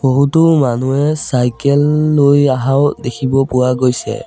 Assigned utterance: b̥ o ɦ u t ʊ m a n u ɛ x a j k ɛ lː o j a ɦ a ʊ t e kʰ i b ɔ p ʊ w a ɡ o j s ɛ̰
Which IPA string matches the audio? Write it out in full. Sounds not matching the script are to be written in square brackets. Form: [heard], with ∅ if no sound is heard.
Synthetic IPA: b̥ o ɦ u t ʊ m a n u ɛ [s] a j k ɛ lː o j a ɦ a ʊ [d] e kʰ i b ɔ p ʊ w a ɡ o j s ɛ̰